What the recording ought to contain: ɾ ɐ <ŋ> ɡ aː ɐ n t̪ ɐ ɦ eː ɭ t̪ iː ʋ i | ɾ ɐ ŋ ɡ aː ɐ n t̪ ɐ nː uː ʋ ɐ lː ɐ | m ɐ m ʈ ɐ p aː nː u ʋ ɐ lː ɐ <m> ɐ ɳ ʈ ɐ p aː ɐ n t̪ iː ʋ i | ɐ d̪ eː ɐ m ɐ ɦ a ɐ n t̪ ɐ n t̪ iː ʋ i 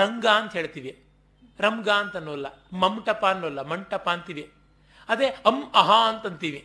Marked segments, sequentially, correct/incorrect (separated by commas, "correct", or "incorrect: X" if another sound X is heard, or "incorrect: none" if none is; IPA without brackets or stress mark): correct, correct